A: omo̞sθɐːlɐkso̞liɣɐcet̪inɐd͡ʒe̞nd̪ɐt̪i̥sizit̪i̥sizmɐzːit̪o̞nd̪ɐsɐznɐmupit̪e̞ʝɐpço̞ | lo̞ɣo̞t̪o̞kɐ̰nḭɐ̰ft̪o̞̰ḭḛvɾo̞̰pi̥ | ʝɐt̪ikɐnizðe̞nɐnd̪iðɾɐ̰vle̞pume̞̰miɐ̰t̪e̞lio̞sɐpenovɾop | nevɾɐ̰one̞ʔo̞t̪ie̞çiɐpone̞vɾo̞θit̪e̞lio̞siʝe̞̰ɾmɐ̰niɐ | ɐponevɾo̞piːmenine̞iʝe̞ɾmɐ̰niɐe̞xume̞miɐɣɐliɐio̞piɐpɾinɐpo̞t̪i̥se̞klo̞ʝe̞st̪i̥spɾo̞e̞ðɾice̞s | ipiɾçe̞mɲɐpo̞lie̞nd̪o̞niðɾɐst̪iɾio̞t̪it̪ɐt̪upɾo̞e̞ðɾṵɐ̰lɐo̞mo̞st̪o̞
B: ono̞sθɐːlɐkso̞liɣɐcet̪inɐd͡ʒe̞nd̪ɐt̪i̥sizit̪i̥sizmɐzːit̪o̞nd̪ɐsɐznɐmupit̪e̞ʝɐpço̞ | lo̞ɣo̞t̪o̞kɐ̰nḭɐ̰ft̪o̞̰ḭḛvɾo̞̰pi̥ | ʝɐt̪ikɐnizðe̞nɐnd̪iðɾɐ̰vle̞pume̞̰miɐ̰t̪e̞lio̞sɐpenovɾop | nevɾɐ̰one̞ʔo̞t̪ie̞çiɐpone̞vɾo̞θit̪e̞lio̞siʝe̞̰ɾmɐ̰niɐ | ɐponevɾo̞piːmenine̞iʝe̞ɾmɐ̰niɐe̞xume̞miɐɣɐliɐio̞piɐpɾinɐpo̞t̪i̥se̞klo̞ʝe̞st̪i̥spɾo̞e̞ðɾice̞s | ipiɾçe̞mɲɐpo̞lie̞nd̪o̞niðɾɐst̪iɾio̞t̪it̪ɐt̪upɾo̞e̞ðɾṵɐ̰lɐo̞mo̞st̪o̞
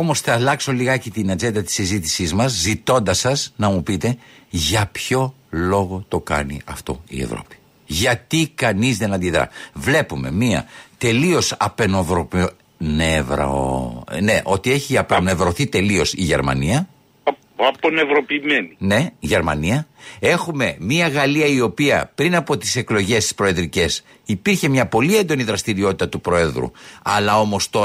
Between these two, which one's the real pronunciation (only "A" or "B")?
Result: A